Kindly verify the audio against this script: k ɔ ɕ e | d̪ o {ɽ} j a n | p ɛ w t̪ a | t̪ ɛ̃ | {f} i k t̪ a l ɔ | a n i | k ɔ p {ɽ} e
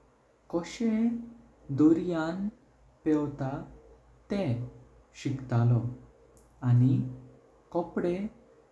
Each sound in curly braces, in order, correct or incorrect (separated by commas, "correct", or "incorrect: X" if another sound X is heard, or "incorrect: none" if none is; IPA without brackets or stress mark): incorrect: ɾ, incorrect: ɕ, correct